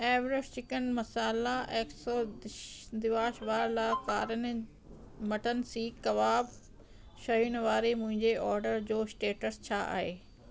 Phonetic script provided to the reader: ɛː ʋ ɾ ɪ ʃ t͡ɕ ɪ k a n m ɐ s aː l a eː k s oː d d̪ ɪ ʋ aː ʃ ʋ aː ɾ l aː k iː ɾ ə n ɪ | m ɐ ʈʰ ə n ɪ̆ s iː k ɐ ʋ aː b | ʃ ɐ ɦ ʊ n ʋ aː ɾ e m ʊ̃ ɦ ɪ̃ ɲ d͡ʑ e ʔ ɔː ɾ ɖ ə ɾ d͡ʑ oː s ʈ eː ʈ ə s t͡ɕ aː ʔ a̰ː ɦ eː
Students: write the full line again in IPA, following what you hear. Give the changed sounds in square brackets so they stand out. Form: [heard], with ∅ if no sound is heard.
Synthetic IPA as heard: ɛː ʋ ɾ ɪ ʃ t͡ɕ ɪ k [ə] n m ɐ s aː l a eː k s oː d d̪ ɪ ʋ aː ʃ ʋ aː ɾ l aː k [aː] ɾ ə n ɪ | m ɐ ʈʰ ə n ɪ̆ s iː k ɐ ʋ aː b | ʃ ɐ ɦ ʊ n ʋ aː ɾ e m ʊ̃ ɦ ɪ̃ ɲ d͡ʑ e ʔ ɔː ɾ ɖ ə ɾ d͡ʑ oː s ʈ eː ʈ ə s [t͡ɕʰ] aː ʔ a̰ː ɦ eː